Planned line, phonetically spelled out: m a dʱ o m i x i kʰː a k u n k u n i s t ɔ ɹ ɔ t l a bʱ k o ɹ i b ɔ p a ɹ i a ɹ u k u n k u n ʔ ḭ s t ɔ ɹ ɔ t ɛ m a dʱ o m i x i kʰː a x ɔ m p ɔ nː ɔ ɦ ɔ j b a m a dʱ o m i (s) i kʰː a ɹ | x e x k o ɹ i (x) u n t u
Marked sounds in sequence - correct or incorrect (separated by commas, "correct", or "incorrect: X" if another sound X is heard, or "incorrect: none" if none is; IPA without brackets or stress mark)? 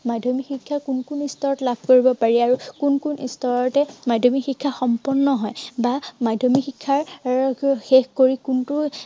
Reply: incorrect: x, incorrect: k